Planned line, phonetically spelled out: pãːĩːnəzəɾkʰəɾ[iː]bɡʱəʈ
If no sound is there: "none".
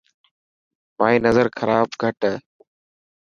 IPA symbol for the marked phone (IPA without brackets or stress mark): aː